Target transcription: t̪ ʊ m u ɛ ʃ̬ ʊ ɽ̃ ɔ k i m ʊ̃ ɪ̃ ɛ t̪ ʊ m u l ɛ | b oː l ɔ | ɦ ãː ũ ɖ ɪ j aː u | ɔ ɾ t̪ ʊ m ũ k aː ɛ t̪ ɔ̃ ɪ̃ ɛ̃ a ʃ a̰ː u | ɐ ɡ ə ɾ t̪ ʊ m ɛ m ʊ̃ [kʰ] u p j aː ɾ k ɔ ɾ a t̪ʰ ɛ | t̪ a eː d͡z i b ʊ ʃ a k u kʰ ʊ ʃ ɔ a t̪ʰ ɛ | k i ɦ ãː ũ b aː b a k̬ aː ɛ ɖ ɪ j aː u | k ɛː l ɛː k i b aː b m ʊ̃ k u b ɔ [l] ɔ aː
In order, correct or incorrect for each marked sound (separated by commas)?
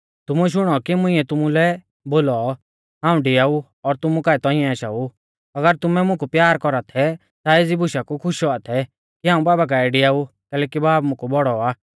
incorrect, incorrect